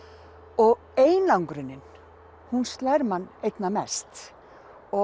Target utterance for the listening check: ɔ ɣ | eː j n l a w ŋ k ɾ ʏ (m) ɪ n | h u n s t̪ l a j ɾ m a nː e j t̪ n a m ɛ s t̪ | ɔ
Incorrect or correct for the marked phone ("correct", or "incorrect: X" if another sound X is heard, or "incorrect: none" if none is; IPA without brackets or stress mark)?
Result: incorrect: n